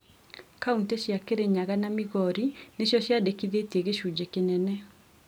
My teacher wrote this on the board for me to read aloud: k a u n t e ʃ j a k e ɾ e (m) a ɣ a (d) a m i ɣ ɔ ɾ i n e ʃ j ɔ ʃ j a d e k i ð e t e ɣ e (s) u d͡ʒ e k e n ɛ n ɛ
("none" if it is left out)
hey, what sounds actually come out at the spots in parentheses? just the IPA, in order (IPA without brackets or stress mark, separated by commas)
ɲ, n, ʃ